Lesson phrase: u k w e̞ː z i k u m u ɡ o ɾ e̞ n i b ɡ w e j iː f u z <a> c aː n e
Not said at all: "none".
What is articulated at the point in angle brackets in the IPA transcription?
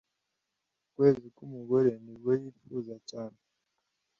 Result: a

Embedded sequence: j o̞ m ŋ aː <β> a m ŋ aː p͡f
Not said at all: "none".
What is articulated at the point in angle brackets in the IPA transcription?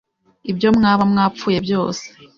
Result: β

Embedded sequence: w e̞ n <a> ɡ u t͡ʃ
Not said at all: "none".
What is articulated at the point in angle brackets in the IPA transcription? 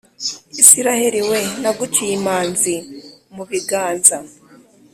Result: a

